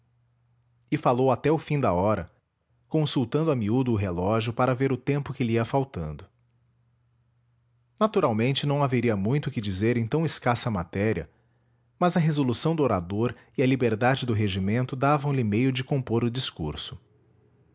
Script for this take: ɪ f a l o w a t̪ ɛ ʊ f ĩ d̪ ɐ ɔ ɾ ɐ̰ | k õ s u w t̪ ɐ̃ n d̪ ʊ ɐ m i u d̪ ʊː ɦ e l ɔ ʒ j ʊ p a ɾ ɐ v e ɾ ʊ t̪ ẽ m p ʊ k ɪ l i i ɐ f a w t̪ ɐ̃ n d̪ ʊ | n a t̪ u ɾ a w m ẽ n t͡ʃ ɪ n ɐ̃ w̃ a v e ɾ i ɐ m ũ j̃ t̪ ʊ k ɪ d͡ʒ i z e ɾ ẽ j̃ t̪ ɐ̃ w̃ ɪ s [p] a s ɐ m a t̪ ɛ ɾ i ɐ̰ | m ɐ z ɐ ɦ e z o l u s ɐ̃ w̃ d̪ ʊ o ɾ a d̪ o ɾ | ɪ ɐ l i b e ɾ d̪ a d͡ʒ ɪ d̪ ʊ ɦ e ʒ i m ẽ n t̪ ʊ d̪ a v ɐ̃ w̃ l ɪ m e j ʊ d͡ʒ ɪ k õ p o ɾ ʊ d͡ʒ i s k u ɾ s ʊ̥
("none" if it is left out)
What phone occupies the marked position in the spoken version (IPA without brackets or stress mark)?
k